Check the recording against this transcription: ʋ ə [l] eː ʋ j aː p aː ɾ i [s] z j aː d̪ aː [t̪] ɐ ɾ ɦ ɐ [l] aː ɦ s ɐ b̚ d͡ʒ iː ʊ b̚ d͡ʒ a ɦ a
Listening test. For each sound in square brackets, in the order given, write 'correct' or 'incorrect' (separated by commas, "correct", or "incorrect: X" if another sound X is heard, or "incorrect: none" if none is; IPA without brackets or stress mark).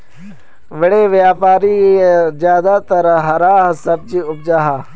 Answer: incorrect: ɽ, incorrect: none, correct, incorrect: ɾ